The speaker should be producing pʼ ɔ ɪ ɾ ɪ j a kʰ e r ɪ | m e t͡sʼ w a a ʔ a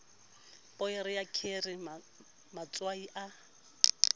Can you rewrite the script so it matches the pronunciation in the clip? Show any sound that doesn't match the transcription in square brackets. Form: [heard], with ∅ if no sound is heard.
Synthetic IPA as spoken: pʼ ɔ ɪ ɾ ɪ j a kʰ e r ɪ | m [a] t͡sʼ w a [i] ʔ a